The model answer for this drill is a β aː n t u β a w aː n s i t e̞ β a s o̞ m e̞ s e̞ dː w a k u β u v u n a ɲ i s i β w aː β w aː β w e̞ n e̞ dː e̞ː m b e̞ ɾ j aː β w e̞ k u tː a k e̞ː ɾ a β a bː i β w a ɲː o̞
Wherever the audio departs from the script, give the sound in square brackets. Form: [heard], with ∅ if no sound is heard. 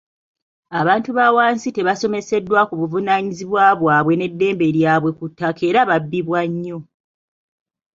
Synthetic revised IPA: a β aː n t u β a w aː n s i t e̞ β a s o̞ m e̞ s e̞ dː w a k u β u v u n a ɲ i [z] i β w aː β w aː β w e̞ n e̞ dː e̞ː m b e̞ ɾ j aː β w e̞ k u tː a k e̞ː ɾ a β a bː i β w a ɲː o̞